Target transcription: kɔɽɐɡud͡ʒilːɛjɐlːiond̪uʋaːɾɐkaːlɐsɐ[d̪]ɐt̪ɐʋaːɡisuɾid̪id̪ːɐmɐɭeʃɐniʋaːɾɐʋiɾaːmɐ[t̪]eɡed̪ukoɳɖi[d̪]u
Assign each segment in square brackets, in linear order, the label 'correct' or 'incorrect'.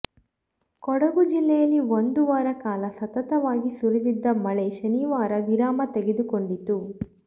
incorrect: t̪, correct, incorrect: t̪

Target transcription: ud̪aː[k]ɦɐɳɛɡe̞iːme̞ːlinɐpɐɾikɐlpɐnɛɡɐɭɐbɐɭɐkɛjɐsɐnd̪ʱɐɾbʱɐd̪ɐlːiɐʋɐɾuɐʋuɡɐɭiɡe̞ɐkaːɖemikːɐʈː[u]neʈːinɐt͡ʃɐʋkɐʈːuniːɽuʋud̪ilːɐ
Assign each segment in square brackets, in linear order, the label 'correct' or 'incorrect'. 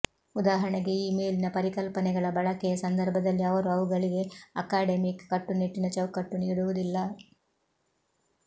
incorrect: none, correct

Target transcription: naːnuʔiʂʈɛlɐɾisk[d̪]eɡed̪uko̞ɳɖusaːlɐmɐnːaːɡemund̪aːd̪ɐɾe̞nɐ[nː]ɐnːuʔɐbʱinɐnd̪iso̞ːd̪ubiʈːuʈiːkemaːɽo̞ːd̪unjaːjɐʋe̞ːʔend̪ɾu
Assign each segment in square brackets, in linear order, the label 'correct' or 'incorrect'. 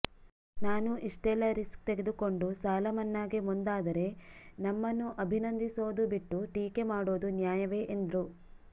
incorrect: t̪, incorrect: mː

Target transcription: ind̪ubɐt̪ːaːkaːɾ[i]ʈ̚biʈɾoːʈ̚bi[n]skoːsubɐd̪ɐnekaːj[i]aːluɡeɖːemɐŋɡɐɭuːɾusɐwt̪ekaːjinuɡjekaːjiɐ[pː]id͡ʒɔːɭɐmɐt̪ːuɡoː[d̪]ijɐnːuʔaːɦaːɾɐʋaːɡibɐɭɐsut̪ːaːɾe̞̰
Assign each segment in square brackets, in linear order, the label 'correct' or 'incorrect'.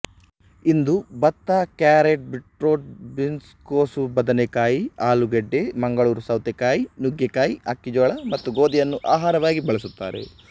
incorrect: e, correct, correct, incorrect: kː, correct

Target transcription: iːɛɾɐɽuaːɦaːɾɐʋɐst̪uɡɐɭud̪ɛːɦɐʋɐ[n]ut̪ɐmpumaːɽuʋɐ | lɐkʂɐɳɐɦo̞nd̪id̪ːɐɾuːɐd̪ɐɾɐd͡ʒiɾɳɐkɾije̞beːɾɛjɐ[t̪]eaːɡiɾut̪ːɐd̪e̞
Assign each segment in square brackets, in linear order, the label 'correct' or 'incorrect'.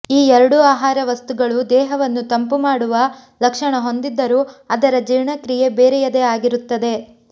incorrect: nː, incorrect: d̪

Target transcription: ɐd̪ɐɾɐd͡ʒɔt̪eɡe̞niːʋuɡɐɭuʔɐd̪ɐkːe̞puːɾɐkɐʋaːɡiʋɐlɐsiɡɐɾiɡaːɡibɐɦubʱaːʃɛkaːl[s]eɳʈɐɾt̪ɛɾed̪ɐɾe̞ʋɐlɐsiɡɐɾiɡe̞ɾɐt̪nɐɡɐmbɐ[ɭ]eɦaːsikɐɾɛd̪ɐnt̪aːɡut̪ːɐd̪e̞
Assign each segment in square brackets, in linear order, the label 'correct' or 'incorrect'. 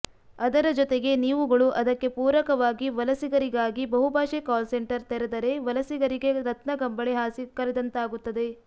correct, correct

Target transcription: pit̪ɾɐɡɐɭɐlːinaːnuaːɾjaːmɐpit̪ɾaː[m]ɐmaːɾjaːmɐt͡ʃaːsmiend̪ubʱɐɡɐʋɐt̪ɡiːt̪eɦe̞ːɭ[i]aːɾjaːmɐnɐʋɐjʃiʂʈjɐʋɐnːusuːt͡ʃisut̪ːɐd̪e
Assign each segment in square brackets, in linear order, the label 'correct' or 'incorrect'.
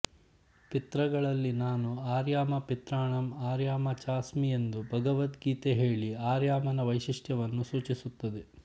incorrect: ɳ, correct

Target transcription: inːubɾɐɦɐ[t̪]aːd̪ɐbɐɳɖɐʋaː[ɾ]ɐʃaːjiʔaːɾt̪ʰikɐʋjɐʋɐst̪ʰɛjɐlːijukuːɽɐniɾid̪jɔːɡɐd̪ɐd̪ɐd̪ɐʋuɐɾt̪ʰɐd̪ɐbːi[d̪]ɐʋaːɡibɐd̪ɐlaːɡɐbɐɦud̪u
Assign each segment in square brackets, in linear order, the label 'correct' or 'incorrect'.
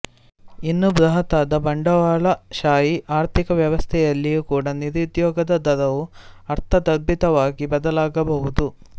correct, incorrect: ɭ, incorrect: t̪

